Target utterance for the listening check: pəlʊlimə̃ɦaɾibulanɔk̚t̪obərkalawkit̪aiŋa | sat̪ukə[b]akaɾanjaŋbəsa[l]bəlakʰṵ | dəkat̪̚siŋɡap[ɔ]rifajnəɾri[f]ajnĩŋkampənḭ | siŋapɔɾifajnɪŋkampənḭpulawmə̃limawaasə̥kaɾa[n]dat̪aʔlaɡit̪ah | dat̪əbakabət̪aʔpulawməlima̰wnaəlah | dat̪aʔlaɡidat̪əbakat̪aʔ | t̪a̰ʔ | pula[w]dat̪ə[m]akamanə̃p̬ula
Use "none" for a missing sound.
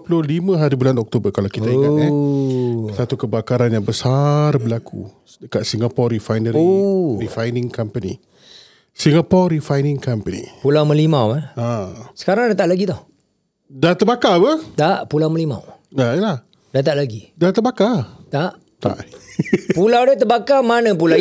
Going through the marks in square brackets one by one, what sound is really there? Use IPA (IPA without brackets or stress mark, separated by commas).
b, r, ɔ, f, ŋ, w, b